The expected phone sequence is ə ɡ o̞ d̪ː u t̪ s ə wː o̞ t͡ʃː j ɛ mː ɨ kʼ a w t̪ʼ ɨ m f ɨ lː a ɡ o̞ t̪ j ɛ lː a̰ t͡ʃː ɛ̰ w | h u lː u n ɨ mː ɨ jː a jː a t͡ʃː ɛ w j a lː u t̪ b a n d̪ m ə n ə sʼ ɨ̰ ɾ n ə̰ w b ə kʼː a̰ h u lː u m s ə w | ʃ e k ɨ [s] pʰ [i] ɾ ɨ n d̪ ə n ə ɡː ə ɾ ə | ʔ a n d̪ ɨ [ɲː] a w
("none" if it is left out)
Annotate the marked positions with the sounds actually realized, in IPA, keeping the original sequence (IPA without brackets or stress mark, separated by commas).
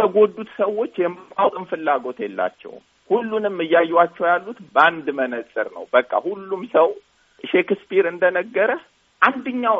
s, i, ɲː